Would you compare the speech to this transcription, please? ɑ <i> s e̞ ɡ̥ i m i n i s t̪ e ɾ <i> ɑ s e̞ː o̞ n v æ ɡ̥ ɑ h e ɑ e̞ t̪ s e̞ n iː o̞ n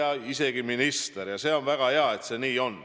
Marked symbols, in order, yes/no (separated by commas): yes, no